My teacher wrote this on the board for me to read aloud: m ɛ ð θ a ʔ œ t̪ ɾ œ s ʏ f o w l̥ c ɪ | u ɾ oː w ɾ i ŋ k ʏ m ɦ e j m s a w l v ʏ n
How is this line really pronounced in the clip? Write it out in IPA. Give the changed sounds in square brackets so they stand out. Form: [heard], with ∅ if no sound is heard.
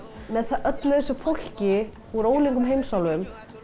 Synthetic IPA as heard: m ɛ ð θ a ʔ œ t̪ [l] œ s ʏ f o w l̥ c ɪ | u ɾ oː w [l] i ŋ k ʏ m ɦ e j m s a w l v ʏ [m]

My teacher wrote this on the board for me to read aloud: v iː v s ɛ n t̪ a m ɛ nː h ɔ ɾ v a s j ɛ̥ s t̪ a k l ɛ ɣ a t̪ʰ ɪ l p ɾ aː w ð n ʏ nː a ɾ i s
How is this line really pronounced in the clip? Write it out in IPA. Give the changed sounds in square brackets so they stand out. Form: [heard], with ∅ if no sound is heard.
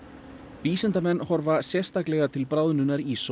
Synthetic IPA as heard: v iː [∅] s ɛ n t̪ a m ɛ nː h ɔ ɾ v a s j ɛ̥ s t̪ a k l ɛ ɣ a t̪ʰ ɪ l p ɾ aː w ð n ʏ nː a ɾ i s

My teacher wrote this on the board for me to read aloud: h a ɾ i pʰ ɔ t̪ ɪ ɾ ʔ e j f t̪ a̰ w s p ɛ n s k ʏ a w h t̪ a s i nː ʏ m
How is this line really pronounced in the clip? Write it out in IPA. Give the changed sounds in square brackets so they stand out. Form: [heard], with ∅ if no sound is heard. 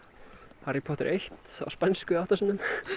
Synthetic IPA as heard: h a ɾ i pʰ ɔ t̪ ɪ ɾ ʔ e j [h] t̪ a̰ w s p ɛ n s k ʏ a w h t̪ a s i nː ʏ m

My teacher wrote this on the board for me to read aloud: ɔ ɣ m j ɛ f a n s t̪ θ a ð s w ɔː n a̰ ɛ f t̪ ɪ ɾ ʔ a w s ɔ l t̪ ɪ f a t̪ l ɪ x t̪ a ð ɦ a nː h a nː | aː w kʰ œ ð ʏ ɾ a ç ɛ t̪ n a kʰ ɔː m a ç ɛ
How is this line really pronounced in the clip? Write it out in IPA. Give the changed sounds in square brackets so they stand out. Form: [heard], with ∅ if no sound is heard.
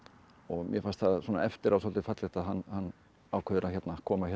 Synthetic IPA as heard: ɔ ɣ m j ɛ f a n s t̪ θ a ð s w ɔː n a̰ ɛ f t̪ ɪ ɾ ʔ a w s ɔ l t̪ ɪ f a t̪ l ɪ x t̪ a ð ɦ a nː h a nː | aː w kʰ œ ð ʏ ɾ a ç ɛ t̪ n a kʰ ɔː m a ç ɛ

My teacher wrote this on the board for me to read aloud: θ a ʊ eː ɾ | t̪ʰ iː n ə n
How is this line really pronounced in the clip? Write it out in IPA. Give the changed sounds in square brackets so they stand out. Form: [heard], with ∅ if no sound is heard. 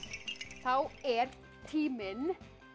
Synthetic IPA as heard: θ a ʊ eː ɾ | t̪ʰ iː [m] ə n

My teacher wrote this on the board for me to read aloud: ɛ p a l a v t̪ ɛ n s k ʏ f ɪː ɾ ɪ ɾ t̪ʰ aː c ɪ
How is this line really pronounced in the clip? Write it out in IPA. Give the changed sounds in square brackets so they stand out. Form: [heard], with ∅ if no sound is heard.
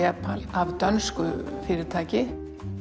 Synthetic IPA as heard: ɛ p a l a v t̪ [œ] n s k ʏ f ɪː ɾ ɪ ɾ t̪ʰ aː c ɪ

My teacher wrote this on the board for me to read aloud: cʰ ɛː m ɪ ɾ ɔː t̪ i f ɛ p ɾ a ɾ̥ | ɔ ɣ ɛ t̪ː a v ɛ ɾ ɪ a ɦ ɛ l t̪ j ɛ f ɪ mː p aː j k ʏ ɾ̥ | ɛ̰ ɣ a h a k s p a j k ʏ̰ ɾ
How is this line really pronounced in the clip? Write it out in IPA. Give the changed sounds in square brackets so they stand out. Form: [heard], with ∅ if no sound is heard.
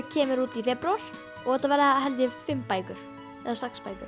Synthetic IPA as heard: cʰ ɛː m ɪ ɾ [uː] t̪ i f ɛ p ɾ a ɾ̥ | ɔ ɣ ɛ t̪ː a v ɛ ɾ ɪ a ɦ ɛ l t̪ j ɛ f ɪ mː p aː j k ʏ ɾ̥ | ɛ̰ [ð] a [s] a k s p a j k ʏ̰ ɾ

